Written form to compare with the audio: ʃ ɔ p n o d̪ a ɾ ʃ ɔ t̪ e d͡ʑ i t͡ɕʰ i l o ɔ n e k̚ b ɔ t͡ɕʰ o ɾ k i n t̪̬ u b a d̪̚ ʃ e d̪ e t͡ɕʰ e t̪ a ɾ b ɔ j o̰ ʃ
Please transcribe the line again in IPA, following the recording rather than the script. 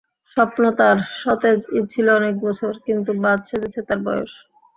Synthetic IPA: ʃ ɔ p n o t̪ a ɾ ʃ ɔ t̪ e d͡ʑ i t͡ɕʰ i l o ɔ n e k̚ b ɔ t͡ɕʰ o ɾ k i n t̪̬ u b a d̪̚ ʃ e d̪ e t͡ɕʰ e t̪ a ɾ b ɔ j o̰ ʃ